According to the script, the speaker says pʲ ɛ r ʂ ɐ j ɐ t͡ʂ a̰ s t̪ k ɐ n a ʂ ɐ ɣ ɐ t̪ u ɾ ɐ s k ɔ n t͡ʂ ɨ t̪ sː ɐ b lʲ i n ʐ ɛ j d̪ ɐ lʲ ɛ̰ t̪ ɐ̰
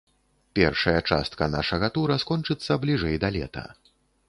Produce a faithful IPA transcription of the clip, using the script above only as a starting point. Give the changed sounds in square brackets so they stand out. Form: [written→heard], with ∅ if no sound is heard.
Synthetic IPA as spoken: pʲ ɛ r ʂ ɐ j ɐ t͡ʂ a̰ s t̪ k ɐ n a ʂ ɐ ɣ ɐ t̪ u ɾ ɐ s k ɔ n t͡ʂ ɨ t̪ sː ɐ b lʲ i [n→∅] ʐ ɛ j d̪ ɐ lʲ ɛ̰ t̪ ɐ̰